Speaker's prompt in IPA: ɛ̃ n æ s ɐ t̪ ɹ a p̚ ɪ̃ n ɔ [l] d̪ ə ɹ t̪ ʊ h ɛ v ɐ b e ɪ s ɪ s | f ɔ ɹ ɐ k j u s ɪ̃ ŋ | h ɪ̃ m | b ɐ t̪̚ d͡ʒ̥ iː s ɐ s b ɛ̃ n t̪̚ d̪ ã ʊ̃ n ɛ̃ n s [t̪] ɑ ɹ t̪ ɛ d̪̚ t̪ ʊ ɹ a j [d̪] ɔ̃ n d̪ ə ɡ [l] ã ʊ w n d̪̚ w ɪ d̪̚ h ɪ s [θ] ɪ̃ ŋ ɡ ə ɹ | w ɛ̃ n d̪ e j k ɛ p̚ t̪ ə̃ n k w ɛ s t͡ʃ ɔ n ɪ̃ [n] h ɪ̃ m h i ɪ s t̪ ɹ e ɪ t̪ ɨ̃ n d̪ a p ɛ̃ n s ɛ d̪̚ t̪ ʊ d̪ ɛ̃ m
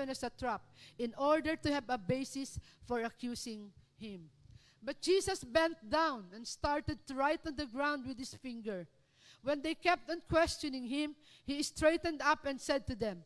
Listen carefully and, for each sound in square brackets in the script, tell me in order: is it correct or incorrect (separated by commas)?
incorrect, correct, incorrect, incorrect, incorrect, incorrect